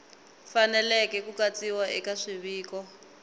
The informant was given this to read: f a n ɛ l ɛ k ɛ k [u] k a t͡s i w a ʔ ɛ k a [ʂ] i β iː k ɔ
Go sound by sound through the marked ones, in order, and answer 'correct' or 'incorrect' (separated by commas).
correct, correct